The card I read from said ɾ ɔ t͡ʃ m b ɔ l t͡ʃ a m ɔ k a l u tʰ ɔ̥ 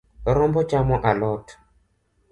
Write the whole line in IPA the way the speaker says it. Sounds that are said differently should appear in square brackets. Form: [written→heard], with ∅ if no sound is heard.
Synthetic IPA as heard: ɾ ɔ [t͡ʃ→∅] m b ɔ [l→∅] t͡ʃ a m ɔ [k→ʔ] a l [u→ɔ] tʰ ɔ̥